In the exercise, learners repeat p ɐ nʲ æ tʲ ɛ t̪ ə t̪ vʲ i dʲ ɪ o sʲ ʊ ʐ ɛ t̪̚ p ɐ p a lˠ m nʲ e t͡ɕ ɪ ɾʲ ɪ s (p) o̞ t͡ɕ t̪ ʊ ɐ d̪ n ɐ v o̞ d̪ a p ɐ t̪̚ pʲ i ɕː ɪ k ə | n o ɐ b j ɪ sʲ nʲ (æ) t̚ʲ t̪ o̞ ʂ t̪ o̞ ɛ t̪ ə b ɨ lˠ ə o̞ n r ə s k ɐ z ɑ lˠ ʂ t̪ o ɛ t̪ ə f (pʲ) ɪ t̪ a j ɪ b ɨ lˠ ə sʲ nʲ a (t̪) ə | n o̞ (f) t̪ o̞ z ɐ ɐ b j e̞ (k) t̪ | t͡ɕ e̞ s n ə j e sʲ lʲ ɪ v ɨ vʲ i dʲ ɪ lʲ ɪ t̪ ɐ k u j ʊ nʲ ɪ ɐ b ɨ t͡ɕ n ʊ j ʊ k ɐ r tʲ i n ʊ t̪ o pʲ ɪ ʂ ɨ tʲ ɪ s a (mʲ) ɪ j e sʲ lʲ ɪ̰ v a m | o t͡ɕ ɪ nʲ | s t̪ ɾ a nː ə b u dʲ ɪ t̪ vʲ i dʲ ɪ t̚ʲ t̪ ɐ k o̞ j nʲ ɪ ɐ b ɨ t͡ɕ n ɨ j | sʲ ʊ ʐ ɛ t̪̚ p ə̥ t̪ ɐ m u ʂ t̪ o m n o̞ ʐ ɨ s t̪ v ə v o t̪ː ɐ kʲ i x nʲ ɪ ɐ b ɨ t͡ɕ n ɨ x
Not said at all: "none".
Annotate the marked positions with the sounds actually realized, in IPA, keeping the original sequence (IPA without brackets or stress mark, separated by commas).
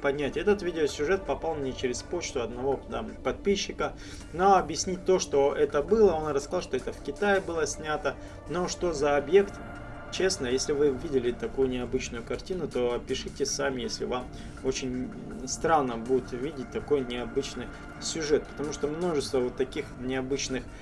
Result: p, i, kʲ, t̪, ʂ, k, mʲ